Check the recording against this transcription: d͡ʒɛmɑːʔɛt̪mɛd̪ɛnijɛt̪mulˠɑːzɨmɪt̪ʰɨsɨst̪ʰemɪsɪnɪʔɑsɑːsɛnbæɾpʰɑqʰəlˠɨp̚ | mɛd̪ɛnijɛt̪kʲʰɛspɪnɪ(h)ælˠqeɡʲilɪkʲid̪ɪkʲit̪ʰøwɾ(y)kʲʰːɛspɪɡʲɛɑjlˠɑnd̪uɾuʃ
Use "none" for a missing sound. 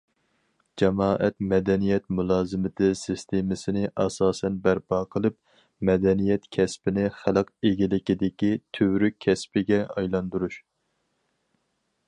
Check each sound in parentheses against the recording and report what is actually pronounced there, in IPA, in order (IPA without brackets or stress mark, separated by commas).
χ, y